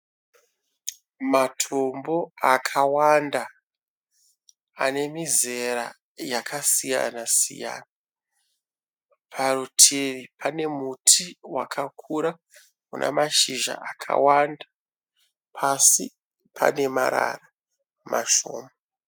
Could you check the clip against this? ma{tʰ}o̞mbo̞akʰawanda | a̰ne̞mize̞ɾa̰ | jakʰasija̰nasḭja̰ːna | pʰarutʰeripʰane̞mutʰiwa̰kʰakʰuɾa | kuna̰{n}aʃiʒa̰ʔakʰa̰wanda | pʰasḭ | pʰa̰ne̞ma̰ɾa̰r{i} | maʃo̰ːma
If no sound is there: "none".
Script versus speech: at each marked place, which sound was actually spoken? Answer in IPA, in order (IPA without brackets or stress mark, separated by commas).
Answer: tʰ, m, a